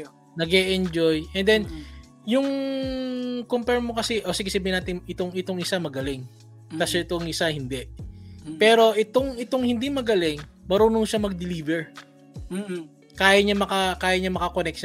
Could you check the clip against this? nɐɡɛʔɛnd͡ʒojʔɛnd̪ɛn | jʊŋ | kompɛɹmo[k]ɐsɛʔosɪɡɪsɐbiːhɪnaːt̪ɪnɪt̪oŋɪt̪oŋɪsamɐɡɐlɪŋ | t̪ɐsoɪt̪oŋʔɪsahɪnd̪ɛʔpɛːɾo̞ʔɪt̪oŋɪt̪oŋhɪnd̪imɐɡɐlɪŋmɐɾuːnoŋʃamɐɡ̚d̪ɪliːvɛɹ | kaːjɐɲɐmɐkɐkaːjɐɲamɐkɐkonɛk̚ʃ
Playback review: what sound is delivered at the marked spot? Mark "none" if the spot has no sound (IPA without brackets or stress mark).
k